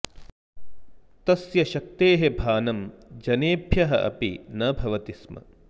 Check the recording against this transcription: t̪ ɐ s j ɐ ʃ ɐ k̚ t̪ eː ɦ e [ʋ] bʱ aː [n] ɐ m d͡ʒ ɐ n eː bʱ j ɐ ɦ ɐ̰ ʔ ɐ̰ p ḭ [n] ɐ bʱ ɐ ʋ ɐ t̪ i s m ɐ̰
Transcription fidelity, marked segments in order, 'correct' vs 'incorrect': incorrect, correct, correct

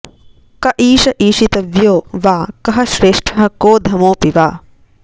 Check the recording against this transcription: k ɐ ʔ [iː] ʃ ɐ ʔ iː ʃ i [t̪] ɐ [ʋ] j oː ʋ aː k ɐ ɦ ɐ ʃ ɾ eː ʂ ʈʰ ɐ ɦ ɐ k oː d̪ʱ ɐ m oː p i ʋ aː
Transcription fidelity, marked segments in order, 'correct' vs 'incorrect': correct, correct, correct

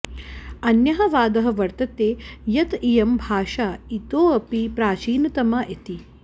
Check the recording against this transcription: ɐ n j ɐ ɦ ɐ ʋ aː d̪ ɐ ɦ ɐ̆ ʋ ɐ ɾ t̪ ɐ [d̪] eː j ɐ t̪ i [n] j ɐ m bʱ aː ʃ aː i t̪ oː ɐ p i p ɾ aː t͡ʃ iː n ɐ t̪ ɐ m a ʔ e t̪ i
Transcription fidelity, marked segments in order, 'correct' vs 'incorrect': incorrect, incorrect

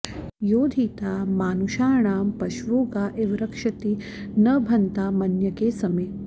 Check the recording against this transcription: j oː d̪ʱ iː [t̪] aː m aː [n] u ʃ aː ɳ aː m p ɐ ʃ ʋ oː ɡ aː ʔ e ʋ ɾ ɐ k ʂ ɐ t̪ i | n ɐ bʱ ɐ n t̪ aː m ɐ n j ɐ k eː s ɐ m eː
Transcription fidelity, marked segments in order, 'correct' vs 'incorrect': correct, correct

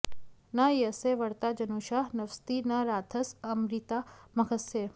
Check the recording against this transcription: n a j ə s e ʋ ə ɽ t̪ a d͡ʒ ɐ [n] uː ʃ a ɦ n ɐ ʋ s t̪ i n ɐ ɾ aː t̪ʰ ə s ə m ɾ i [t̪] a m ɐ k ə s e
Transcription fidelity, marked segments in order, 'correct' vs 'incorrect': correct, correct

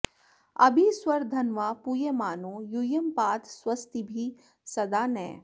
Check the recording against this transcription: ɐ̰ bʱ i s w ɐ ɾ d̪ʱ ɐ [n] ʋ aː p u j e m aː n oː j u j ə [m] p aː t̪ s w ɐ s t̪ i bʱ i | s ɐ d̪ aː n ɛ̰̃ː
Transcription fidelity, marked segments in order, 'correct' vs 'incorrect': correct, correct

